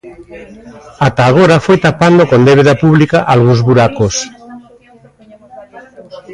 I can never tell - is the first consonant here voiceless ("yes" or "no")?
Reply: yes